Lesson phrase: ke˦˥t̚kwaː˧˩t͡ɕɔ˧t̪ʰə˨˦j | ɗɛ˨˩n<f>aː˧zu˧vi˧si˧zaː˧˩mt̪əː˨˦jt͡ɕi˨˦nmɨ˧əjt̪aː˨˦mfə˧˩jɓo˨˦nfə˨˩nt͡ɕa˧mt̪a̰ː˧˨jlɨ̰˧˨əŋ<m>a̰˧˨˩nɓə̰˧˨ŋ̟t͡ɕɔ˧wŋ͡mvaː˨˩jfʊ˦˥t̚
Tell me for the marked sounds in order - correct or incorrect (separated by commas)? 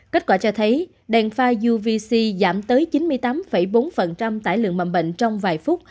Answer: correct, correct